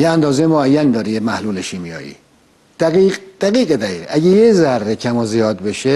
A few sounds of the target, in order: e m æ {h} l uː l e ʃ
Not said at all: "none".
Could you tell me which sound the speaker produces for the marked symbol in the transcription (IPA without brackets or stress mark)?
h